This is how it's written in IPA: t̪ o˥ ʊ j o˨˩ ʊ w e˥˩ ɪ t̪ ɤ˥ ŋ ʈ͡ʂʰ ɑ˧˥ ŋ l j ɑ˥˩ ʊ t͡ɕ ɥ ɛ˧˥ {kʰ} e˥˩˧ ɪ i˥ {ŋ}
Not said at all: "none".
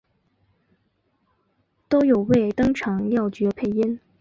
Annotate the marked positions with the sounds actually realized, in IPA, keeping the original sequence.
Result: pʰ, n

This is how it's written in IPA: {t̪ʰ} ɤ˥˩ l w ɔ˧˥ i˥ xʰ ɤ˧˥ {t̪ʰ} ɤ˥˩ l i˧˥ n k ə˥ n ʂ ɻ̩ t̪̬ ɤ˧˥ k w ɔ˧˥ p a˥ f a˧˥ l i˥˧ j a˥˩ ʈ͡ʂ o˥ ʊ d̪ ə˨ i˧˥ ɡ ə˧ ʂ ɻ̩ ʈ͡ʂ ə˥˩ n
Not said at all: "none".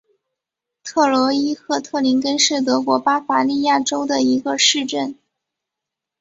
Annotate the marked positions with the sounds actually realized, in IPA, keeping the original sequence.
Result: t̪ʰ, t̪ʰ

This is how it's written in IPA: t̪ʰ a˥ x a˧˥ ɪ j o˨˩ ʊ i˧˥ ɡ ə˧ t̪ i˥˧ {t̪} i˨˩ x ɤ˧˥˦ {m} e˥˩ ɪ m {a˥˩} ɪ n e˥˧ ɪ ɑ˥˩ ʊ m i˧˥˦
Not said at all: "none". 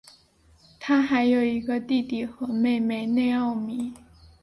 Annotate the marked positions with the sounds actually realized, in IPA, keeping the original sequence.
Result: t̪, m, e˥˩

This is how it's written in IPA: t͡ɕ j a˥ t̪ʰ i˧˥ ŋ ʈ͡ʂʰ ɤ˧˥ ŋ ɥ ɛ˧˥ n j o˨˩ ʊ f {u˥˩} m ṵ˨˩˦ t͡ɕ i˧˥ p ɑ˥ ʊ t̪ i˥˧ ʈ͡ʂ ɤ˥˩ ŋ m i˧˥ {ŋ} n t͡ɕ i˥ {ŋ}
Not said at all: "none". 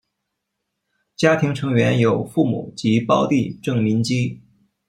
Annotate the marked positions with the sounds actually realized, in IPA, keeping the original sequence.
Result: u˥˩, none, none

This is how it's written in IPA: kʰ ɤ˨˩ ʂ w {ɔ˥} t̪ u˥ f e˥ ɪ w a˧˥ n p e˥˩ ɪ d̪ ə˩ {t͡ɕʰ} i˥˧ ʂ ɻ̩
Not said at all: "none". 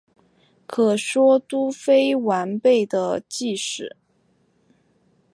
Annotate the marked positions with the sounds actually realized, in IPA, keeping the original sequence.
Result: ɔ˥, t͡ɕ

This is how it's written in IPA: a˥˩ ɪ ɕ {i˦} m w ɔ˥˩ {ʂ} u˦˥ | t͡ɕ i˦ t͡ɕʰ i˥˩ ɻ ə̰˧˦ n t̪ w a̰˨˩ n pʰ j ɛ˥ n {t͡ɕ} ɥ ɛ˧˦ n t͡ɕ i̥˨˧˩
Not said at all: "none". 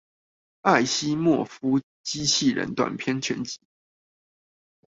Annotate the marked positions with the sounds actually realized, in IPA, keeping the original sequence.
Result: i˦, f, t͡ɕʰ

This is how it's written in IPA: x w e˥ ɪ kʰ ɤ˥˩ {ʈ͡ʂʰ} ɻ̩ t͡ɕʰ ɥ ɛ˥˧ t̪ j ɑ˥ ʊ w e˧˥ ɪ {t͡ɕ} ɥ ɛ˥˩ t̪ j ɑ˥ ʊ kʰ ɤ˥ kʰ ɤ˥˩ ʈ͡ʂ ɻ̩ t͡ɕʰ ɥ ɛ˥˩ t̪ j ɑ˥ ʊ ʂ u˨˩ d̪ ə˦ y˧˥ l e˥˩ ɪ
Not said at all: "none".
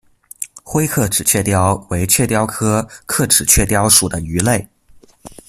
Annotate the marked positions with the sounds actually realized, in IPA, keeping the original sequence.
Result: ʈ͡ʂ, t͡ɕʰ

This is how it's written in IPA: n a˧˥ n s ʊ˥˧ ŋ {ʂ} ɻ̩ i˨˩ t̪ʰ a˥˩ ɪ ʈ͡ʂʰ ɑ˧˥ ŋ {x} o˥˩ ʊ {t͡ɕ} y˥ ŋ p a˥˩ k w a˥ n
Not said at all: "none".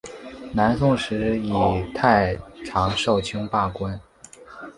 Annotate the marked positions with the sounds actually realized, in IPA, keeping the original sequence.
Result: ʂ, ʂ, t͡ɕʰ

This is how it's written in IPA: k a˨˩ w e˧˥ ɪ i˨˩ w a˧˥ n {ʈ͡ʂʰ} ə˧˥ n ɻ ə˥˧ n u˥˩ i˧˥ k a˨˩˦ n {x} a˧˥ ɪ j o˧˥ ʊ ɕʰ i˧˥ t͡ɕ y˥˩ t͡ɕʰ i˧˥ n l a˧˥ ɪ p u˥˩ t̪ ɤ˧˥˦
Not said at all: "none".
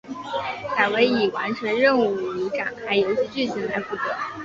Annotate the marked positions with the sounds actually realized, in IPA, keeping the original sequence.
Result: ʈ͡ʂʰ, x

